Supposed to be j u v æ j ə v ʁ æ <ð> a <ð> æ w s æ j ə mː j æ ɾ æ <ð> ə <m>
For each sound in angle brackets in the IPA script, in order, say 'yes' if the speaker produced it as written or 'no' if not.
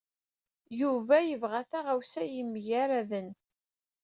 no, no, yes, no

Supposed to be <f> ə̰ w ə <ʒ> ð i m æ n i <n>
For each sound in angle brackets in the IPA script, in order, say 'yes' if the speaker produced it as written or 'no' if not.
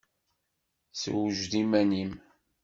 no, yes, no

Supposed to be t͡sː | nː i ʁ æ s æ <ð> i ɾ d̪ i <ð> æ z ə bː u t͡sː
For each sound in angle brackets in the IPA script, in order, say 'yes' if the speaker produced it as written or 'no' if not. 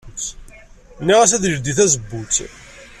yes, no

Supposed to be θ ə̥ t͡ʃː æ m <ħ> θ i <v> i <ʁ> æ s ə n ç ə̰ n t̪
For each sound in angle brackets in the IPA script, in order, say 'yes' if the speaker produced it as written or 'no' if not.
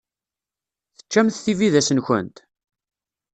no, yes, no

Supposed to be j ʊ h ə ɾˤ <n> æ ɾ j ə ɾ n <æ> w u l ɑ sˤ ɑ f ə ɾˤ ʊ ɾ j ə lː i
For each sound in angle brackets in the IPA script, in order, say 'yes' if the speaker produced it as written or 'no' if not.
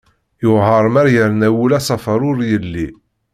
no, yes

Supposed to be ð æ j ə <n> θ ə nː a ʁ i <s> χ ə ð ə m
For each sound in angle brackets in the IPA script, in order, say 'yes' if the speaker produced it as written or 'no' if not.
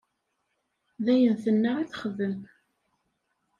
yes, no

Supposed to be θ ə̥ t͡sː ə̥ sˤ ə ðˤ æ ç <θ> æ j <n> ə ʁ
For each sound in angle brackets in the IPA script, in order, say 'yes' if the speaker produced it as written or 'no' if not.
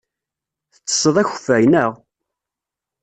no, yes

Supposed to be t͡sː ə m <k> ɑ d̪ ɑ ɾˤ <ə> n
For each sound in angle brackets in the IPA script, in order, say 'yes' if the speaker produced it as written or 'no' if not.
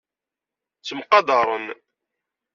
no, yes

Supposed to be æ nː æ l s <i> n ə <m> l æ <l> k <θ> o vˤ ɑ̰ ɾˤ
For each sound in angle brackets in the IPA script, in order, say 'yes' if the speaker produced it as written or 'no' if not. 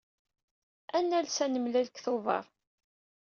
no, yes, yes, yes

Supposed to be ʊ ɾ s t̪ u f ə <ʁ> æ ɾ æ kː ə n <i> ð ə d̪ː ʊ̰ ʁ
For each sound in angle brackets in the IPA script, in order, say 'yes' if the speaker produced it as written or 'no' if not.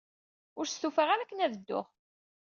yes, no

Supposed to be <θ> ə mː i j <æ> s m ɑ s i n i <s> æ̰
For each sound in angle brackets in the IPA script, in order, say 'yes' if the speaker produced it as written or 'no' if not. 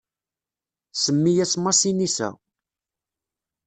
no, yes, yes

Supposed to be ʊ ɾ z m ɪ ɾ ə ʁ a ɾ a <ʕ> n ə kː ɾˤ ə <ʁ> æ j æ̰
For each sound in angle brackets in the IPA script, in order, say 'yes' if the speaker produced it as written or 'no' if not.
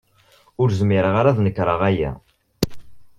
no, yes

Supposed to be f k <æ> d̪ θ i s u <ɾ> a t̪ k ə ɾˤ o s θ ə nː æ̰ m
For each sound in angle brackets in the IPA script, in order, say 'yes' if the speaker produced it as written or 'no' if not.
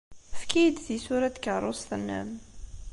no, yes

